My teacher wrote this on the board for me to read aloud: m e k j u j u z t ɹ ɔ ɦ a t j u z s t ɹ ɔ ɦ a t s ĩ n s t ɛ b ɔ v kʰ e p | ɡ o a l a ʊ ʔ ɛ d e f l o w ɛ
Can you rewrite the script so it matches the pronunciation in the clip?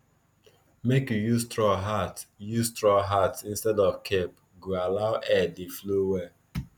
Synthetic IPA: m e k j u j u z t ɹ ɔ ɦ a t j u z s t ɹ ɔ ɦ a t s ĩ n s t ɛ d ɔ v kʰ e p | ɡ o a l a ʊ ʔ ɛ d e f l o w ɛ